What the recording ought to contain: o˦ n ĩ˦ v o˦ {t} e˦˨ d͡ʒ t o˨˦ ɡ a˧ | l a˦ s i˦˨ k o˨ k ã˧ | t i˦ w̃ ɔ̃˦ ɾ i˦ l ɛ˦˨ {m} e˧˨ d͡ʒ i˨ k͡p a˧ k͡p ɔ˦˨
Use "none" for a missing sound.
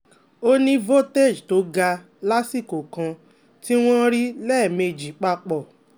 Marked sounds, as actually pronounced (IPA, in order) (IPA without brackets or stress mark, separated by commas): t, m